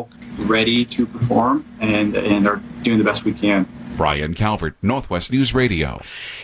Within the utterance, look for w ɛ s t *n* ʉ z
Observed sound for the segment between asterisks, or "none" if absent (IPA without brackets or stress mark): n